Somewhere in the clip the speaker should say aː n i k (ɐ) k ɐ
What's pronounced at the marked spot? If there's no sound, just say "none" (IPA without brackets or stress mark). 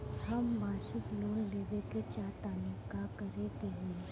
a